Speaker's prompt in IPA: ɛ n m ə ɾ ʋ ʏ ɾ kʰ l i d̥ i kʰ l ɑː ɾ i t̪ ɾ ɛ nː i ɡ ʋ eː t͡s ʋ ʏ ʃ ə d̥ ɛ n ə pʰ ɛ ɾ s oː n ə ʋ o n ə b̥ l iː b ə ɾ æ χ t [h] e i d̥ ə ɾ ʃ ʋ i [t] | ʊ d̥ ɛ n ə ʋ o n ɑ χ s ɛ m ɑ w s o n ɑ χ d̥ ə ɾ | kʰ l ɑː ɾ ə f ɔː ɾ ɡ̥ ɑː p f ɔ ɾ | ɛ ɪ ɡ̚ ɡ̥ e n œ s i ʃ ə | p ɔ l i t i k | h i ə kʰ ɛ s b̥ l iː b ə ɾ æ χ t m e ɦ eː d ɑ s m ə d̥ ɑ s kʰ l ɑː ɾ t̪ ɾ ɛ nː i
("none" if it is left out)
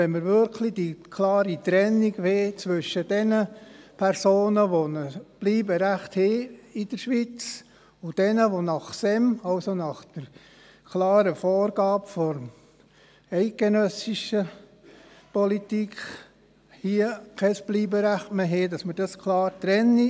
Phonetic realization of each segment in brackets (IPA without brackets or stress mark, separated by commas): h, t͡s